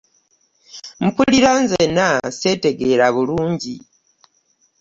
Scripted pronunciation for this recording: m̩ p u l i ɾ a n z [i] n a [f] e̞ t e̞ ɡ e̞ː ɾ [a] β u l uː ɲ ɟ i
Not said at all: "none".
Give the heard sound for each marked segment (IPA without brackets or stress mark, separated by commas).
e, s, a